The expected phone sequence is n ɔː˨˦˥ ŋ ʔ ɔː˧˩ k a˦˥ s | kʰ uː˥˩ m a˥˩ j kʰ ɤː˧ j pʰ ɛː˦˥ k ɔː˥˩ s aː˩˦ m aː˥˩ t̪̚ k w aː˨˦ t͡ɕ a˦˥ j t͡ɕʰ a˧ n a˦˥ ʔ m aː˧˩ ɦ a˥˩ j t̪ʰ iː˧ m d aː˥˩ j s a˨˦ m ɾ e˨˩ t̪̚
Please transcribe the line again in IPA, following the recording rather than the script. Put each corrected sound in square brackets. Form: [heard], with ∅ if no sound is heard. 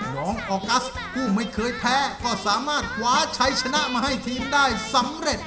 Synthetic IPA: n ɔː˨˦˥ ŋ ʔ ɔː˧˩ k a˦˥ s | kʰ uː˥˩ m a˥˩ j kʰ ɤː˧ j pʰ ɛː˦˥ k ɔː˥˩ s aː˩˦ m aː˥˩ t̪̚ [kʰ] w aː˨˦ [t͡ɕʰ] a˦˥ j t͡ɕʰ a˧ n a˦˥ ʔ m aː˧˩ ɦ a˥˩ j t̪ʰ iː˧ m d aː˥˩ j s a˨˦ m ɾ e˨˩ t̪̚